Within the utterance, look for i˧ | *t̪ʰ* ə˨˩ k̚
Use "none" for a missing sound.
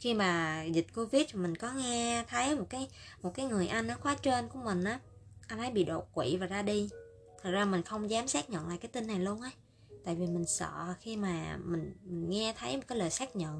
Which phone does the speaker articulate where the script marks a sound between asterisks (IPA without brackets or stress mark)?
t̪ʰ